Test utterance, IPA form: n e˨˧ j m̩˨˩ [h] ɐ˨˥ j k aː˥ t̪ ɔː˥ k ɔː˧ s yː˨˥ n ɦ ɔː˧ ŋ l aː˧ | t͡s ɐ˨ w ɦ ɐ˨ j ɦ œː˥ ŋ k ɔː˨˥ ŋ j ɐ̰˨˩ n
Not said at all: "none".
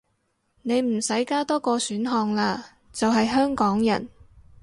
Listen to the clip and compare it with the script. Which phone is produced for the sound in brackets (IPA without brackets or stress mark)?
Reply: s